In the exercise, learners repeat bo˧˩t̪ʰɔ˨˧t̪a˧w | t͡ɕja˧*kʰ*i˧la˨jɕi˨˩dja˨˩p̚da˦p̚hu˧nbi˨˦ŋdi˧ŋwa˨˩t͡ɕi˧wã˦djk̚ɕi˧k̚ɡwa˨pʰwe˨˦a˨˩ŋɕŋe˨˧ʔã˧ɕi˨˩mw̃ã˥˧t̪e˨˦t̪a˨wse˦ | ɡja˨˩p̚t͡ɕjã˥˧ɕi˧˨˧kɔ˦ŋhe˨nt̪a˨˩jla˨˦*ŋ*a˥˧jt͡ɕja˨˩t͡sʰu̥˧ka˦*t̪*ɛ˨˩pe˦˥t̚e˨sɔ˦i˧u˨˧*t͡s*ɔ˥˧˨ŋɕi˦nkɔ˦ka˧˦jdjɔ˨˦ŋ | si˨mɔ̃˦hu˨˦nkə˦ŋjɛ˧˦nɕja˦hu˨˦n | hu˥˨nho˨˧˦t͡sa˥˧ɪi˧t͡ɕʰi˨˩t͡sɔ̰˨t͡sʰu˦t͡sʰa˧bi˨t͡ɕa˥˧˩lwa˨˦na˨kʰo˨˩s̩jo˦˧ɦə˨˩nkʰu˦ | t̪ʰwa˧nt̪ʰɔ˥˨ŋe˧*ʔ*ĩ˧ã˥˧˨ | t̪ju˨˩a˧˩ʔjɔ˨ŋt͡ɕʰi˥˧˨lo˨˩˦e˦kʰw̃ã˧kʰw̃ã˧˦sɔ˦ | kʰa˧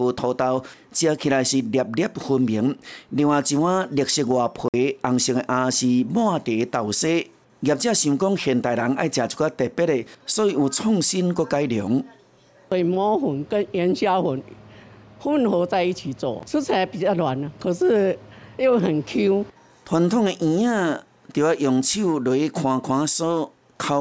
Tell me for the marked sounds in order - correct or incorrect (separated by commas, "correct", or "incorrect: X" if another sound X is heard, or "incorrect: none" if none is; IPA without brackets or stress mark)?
correct, correct, correct, incorrect: t͡sʰ, correct